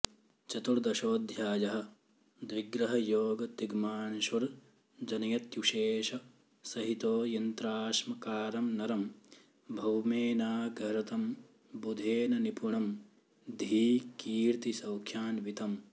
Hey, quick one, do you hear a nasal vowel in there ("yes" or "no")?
no